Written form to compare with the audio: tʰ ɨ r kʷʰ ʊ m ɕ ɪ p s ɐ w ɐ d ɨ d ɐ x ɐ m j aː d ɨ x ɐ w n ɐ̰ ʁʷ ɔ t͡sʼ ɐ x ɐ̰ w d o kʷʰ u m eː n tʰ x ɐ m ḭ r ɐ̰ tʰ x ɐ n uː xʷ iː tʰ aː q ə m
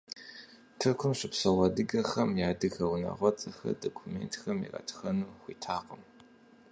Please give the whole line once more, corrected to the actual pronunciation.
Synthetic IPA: tʰ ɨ r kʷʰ ʊ m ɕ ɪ p s ɐ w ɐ d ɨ ɡ ɐ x ɐ m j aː d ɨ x ɐ w n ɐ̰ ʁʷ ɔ t͡sʼ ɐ x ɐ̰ d o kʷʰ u m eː n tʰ x ɐ m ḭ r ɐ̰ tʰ x ɐ n uː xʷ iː tʰ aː q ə m